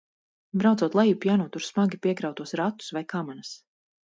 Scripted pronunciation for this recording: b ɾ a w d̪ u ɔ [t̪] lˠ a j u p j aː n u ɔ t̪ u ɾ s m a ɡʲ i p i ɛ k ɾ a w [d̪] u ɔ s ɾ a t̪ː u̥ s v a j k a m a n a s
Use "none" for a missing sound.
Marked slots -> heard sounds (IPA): t̪, t̪

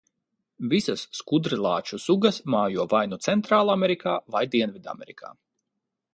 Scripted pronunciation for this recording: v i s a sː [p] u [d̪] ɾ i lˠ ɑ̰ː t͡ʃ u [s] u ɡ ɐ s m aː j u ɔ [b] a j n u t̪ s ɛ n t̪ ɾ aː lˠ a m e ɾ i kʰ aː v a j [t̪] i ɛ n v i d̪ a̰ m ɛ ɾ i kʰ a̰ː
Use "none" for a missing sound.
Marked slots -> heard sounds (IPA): k, d̪, s, v, d̪

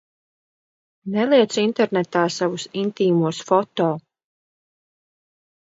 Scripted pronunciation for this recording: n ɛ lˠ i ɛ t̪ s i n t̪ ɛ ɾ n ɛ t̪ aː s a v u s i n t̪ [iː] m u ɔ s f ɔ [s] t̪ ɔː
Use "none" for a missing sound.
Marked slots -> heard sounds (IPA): iː, none

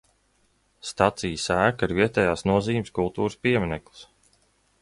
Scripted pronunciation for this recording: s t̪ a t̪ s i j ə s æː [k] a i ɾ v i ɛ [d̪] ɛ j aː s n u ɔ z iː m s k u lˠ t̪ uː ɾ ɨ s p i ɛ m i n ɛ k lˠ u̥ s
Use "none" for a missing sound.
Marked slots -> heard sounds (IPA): k, t̪

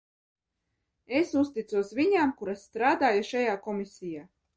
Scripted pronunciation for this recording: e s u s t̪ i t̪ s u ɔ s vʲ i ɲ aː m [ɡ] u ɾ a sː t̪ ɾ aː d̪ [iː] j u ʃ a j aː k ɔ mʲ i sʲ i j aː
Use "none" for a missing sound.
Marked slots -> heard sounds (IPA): k, aː

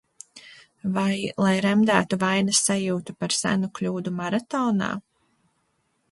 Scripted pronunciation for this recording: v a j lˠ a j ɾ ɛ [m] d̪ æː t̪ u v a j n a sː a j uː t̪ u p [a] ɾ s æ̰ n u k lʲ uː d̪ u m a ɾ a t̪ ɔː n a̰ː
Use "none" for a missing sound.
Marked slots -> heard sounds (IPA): m, a

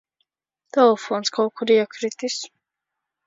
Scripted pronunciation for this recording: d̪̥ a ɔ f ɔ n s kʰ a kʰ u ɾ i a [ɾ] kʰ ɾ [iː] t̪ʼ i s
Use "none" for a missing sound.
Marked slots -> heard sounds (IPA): none, i

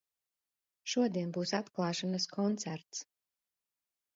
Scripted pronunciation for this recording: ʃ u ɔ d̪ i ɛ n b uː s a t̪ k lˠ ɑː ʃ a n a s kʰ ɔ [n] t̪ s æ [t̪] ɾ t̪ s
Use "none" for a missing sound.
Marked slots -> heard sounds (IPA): n, none

